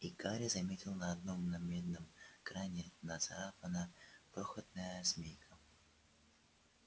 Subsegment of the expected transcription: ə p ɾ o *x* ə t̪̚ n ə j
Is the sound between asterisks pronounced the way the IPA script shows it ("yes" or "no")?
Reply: yes